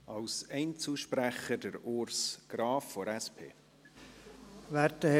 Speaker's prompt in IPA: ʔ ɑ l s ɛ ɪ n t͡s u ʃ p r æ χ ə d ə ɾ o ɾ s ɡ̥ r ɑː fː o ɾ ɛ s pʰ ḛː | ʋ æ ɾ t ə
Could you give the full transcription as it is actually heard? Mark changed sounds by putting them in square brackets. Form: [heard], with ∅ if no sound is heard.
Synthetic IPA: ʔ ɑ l s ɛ ɪ n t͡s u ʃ p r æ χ ə d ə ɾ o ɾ s ɡ̥ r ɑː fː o ɾ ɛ s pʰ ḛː | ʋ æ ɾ t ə